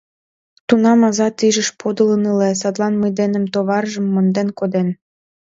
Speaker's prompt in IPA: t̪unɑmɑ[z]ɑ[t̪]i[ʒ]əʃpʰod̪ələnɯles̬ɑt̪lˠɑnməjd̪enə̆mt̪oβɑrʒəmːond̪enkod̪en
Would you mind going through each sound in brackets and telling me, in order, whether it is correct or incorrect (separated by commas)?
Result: correct, correct, correct